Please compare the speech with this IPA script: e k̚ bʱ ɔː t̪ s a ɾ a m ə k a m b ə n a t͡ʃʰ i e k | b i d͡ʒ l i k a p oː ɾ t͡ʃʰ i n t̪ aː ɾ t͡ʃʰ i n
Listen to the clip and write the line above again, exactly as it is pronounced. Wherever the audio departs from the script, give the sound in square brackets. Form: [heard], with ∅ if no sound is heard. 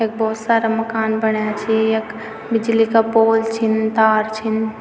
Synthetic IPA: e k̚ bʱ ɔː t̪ s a ɾ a m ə k a [n] b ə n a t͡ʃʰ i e k | b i d͡ʒ l i k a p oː [l] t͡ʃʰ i n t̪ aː ɾ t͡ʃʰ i n